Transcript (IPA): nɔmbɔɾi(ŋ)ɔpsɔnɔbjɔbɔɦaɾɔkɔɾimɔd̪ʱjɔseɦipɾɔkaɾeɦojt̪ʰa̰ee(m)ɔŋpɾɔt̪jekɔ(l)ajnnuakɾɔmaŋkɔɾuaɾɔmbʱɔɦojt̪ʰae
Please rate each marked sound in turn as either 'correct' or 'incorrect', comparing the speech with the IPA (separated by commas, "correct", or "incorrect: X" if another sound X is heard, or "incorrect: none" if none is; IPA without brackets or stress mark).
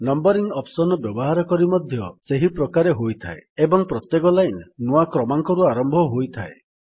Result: correct, incorrect: b, correct